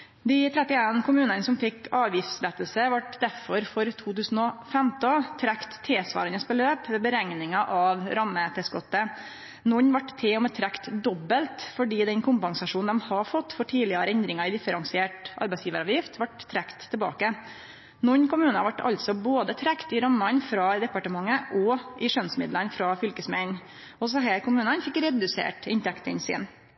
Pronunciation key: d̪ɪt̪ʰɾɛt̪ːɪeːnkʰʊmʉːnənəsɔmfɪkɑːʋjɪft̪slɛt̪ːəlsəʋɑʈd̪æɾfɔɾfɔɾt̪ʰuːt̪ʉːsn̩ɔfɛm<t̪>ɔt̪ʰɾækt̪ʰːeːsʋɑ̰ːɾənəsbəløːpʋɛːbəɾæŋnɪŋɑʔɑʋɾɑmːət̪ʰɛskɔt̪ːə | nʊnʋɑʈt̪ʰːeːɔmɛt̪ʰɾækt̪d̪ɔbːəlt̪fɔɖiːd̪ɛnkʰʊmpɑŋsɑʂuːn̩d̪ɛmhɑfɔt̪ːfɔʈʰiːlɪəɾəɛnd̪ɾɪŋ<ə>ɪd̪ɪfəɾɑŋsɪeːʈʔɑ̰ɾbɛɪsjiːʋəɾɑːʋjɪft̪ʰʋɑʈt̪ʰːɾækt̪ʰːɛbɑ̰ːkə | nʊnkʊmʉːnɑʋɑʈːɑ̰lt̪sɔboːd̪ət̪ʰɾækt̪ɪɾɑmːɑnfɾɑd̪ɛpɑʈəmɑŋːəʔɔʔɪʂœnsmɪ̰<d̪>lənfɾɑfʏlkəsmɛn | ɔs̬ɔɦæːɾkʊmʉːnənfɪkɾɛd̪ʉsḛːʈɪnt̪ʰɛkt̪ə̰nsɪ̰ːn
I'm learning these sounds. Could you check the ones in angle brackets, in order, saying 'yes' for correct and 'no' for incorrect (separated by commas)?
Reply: yes, no, yes